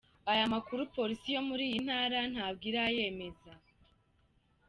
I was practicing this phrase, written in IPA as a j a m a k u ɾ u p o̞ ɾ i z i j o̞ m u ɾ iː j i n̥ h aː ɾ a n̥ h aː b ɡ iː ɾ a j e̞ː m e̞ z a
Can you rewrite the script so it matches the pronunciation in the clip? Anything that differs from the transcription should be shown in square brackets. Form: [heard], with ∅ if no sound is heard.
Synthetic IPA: a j a m a k u ɾ u p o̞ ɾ i [s] i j o̞ m u ɾ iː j i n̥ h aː ɾ a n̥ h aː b ɡ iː ɾ a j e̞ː m e̞ z a